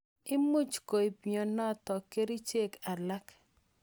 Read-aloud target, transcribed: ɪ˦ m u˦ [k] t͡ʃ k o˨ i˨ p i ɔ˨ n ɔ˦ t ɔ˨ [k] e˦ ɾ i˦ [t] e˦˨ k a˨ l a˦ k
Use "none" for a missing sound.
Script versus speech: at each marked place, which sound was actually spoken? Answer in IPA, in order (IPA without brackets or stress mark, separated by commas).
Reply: none, k, t͡ʃ